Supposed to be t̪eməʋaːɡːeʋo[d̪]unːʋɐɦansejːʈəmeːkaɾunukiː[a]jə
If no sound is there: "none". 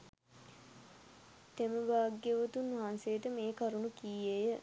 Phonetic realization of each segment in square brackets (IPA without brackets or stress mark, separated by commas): t̪, e